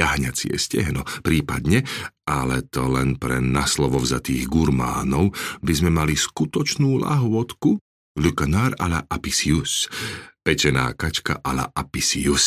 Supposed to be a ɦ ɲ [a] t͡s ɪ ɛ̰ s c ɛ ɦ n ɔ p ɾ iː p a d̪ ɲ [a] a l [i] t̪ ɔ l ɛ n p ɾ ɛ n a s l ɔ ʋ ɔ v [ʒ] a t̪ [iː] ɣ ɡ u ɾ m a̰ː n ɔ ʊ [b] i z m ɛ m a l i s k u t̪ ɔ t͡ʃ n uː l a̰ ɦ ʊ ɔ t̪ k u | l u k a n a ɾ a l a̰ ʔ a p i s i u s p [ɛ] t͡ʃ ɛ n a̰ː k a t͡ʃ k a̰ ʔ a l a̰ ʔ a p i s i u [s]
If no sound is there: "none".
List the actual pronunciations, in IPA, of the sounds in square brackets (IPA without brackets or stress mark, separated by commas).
a, ɛ, ɛ, z, iː, b, ɛ, s